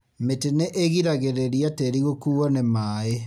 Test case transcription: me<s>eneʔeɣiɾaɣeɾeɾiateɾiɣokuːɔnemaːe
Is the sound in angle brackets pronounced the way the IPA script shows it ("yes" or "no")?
no